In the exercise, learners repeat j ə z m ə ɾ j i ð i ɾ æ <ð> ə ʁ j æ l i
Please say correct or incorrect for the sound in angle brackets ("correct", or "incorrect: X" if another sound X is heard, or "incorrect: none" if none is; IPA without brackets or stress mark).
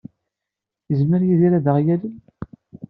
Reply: correct